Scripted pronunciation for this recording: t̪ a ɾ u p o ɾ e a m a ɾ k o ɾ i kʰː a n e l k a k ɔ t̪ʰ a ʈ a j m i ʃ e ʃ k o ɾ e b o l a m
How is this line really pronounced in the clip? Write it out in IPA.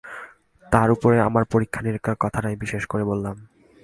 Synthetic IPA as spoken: t̪ a ɾ u p o ɾ e a m a ɾ p o ɾ i kʰː a n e ɾ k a k ɔ t̪ʰ a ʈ a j b i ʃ e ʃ k o ɾ e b o lː a m